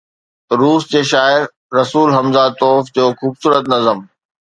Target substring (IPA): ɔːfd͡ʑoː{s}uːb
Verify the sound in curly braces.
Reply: incorrect: x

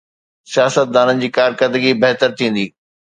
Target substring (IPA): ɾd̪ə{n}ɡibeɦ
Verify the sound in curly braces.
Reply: incorrect: none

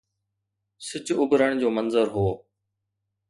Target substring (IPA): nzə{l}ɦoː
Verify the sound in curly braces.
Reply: incorrect: ɾ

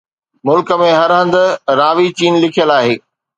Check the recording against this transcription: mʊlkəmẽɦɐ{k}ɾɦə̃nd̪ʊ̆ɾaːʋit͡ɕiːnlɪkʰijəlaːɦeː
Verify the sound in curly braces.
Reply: incorrect: none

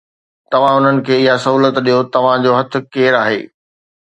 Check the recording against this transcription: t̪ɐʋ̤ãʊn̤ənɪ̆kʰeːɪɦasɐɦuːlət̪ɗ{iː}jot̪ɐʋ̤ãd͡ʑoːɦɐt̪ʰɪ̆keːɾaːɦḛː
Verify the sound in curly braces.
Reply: incorrect: i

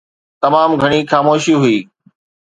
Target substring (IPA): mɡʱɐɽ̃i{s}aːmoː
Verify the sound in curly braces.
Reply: incorrect: x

